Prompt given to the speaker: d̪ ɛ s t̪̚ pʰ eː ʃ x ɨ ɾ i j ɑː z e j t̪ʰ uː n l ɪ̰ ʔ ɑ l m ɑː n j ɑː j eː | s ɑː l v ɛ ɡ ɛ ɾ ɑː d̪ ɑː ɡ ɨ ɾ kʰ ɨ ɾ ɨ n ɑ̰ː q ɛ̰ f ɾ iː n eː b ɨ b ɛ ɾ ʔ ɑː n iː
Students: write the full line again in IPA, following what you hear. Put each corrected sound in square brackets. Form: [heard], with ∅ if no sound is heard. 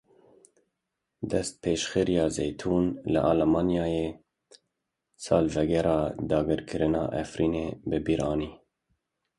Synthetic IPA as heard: d̪ ɛ s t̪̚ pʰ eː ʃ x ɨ ɾ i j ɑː z e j t̪ʰ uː n l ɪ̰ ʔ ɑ l m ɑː n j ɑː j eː | s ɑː l v ɛ ɡ ɛ ɾ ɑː d̪ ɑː ɡ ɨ ɾ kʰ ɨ ɾ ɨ n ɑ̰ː [ʔ] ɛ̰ f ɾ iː n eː b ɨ b [i] ɾ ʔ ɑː n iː

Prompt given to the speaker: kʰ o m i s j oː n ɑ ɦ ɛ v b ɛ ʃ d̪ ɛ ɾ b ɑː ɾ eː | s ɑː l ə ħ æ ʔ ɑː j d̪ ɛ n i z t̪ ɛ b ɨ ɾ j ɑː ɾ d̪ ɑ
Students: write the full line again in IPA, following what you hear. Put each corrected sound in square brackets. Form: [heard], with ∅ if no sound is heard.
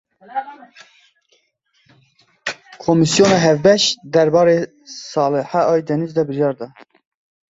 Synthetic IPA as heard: kʰ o m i s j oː n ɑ ɦ ɛ v b ɛ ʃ d̪ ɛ ɾ b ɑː ɾ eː | s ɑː l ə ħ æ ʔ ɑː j d̪ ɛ n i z [d̪] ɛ b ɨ ɾ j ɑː ɾ d̪ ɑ

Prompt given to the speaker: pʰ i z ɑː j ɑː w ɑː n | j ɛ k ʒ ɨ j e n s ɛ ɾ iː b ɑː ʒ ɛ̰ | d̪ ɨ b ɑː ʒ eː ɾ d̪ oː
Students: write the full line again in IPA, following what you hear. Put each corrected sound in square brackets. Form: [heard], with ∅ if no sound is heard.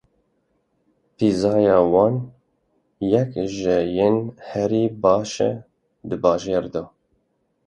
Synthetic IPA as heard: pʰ i z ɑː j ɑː w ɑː n | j ɛ k ʒ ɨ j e n [h] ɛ ɾ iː b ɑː [ʃ] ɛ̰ | d̪ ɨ b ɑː ʒ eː ɾ d̪ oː

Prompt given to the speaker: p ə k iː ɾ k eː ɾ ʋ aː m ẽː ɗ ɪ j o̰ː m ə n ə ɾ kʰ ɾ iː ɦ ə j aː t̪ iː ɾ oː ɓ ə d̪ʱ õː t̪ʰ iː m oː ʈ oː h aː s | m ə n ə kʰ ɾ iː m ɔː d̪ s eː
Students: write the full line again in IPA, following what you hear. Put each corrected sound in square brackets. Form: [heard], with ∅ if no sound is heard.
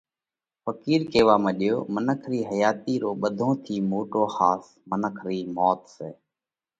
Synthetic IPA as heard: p ə k iː ɾ k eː [∅] ʋ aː m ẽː ɗ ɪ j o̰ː m ə n ə [∅] kʰ ɾ iː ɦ ə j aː t̪ iː ɾ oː ɓ ə d̪ʱ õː t̪ʰ iː m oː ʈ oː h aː s | m ə n ə kʰ ɾ iː m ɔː [t̪] s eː

